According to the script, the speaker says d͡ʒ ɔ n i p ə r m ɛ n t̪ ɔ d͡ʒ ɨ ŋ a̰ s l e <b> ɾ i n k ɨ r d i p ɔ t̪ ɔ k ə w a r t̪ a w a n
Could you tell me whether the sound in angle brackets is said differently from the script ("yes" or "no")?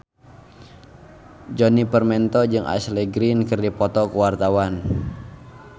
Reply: yes